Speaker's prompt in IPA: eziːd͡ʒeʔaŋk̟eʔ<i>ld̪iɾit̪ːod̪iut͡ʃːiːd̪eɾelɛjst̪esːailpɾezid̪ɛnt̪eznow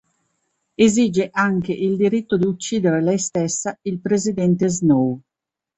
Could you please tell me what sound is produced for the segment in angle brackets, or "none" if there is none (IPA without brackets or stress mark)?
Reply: i